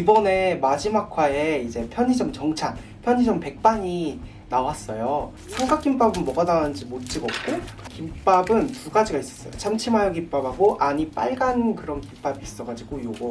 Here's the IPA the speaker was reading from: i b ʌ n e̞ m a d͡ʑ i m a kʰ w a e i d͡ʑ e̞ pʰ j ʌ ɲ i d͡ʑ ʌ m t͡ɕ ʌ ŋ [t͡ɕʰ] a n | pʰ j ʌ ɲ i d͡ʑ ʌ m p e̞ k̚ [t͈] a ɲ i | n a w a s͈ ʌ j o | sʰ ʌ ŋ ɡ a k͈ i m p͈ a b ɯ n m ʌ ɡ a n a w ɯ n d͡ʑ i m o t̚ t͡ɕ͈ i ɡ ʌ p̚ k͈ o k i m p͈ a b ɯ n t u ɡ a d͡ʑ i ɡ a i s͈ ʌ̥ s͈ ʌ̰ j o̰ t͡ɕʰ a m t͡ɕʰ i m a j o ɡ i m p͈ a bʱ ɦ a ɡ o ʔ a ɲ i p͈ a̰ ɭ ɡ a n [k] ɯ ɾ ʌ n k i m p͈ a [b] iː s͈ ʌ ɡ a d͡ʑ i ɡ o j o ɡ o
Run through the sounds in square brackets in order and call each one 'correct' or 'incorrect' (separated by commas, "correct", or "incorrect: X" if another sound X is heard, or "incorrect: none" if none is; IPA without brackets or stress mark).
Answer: correct, incorrect: p͈, correct, correct